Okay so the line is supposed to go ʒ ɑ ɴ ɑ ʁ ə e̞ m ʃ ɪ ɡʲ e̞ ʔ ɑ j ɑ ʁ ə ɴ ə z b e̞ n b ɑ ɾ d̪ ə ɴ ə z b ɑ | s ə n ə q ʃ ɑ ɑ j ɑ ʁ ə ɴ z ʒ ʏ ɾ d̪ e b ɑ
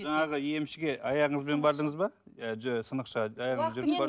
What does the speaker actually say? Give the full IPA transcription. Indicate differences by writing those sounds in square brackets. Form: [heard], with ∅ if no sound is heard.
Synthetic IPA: ʒ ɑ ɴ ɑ ʁ ə e̞ m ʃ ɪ ɡʲ e̞ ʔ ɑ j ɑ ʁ ə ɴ ə z b e̞ n b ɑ ɾ d̪ ə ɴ ə z b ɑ | s ə n ə q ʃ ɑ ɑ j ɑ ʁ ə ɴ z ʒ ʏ ɾ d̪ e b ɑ